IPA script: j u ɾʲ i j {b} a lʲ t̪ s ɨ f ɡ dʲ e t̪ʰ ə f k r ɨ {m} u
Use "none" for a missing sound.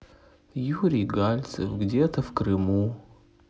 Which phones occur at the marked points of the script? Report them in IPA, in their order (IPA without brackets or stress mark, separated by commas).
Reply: ɡ, m